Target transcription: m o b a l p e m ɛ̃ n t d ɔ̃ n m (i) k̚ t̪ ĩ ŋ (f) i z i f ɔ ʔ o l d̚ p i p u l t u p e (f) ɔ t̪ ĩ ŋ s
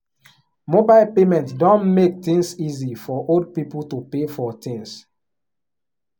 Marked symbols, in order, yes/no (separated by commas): no, no, yes